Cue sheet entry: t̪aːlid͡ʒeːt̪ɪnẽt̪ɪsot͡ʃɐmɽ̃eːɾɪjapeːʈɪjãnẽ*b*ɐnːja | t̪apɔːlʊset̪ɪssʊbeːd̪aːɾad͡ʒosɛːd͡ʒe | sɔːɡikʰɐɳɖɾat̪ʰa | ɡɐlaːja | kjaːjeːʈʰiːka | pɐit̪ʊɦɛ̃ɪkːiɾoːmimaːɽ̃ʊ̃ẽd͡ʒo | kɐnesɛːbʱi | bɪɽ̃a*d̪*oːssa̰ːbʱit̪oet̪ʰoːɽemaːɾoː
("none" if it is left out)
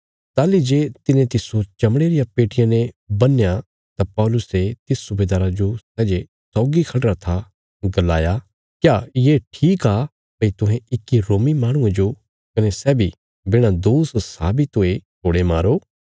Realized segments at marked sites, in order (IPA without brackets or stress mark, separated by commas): b, d̪